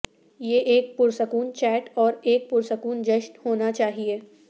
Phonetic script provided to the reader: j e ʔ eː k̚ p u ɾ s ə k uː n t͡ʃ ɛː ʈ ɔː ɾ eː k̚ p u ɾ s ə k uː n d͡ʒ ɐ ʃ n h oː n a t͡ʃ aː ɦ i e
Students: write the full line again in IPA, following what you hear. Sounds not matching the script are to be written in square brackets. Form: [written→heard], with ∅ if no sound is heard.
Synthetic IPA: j e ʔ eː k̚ p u ɾ s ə k uː n t͡ʃ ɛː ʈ ɔː ɾ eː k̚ p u ɾ s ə k uː n d͡ʒ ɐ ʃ n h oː n a t͡ʃ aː ɦ i e